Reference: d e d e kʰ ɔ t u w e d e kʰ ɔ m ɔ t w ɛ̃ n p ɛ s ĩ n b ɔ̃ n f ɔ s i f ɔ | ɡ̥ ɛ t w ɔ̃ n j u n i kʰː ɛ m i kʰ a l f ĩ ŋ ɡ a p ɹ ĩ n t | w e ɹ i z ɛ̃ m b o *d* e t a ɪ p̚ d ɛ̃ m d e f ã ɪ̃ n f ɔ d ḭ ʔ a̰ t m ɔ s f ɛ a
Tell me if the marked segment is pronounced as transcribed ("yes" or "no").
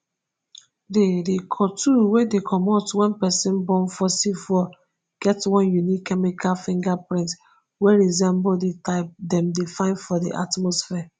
yes